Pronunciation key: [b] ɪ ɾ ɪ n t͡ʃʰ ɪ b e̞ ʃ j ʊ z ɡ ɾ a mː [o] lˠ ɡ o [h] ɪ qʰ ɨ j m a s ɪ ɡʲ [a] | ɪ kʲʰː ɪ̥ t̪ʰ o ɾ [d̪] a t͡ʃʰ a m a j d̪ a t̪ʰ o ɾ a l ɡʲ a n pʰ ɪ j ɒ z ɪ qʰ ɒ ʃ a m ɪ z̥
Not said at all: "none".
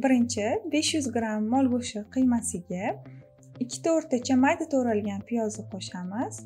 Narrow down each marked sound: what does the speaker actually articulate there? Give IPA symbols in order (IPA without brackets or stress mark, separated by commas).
b, ɒ, ʃ, a, t̪